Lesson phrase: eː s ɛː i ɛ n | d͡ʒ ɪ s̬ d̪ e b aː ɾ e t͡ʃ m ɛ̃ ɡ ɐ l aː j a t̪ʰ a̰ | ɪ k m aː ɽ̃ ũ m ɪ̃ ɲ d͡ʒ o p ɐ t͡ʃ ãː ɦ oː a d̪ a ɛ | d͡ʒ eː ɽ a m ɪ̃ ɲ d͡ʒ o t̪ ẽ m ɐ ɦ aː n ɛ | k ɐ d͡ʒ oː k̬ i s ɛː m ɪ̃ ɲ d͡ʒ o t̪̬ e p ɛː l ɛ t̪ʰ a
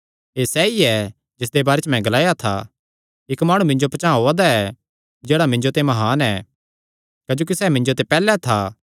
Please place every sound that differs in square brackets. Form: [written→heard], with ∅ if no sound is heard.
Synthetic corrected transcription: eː s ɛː i ɛ [n→∅] | d͡ʒ ɪ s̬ d̪ e b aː ɾ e t͡ʃ m ɛ̃ ɡ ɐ l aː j a t̪ʰ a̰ | ɪ k m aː ɽ̃ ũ m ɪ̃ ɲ d͡ʒ o p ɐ t͡ʃ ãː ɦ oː a d̪ a ɛ | d͡ʒ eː ɽ a m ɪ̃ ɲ d͡ʒ o t̪ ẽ m ɐ ɦ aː n ɛ | k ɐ d͡ʒ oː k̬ i s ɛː m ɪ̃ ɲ d͡ʒ o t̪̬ e p ɛː l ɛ t̪ʰ a